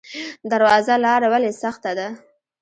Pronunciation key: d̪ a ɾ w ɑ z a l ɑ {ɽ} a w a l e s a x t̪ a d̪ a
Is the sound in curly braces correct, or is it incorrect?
incorrect